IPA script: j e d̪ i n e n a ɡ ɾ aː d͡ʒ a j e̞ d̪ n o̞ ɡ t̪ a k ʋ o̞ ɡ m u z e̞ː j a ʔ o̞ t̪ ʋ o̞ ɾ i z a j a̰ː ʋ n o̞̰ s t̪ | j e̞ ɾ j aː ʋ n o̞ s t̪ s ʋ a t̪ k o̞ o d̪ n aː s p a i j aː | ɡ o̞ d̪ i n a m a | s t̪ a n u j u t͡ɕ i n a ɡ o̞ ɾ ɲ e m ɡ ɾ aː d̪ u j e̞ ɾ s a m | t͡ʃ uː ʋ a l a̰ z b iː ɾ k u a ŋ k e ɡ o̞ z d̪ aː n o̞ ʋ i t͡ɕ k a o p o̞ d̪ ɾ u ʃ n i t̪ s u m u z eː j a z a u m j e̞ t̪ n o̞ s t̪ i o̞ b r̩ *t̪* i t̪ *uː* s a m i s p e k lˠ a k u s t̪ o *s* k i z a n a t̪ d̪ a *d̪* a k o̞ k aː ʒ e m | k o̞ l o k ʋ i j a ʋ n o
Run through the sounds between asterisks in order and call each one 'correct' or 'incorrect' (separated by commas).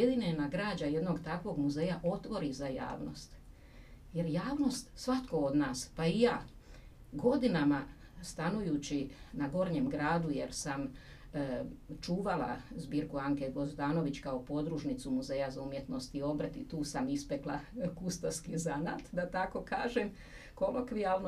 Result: correct, correct, correct, incorrect